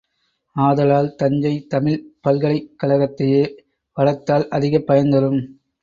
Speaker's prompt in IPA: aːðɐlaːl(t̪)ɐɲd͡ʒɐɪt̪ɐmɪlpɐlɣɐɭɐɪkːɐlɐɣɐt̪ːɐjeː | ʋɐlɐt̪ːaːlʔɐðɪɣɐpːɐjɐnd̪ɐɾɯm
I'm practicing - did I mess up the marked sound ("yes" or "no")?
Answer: no